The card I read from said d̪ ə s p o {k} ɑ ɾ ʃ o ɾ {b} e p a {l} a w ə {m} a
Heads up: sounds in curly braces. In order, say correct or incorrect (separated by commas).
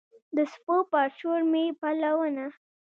incorrect, incorrect, correct, incorrect